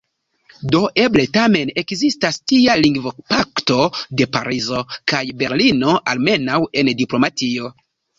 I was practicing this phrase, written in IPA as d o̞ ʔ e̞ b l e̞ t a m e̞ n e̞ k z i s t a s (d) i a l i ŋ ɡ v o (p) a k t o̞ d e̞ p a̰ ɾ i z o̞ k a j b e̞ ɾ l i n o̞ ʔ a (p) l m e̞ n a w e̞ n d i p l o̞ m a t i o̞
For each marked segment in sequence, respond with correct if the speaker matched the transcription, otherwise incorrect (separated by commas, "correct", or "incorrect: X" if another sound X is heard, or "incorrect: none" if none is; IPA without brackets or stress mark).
incorrect: t, correct, incorrect: none